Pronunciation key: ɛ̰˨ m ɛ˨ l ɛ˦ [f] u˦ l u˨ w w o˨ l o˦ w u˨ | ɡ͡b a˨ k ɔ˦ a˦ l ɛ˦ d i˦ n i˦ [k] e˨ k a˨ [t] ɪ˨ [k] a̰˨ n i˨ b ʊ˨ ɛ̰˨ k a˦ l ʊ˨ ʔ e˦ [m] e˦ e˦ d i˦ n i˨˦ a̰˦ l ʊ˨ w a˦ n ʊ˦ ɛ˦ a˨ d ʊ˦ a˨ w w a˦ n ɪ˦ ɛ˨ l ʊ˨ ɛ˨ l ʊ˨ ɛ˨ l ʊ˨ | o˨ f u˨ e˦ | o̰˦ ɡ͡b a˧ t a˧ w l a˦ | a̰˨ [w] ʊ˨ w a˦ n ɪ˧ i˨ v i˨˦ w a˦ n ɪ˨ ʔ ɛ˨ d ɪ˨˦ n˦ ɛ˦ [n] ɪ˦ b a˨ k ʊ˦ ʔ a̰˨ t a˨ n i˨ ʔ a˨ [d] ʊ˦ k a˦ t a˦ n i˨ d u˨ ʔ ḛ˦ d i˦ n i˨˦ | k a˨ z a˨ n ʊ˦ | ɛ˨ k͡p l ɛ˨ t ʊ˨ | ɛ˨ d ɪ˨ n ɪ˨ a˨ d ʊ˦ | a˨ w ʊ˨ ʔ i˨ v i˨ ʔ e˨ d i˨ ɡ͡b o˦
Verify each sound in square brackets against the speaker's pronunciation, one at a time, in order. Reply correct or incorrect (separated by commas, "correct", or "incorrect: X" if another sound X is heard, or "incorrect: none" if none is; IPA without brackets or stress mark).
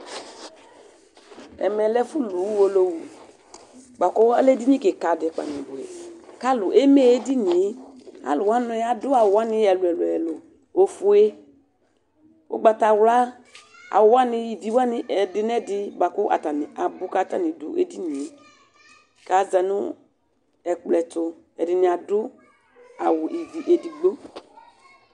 correct, correct, incorrect: d, incorrect: k͡p, correct, correct, incorrect: d, incorrect: b